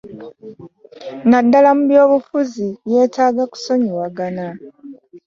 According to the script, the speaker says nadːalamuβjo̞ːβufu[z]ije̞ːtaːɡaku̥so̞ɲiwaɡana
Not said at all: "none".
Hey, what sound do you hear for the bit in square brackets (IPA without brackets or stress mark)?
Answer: z